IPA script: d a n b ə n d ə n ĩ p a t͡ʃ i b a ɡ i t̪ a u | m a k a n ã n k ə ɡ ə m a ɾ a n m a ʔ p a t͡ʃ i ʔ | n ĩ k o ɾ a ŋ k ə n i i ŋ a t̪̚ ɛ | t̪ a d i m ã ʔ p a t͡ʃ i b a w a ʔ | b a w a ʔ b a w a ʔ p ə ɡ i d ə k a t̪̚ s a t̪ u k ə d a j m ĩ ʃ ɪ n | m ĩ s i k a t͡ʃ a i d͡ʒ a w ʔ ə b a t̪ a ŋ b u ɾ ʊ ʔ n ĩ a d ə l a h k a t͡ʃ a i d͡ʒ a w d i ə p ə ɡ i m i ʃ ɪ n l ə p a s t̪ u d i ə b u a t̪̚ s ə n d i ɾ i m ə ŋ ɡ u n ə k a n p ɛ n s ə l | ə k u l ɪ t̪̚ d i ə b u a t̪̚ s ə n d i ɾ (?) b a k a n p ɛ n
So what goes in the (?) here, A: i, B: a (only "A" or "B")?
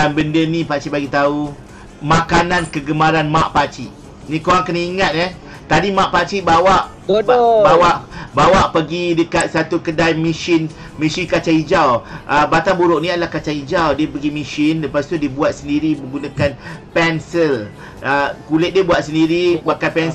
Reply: A